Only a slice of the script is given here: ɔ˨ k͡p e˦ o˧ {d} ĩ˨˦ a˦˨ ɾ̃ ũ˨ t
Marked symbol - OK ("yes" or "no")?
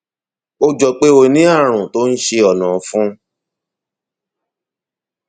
no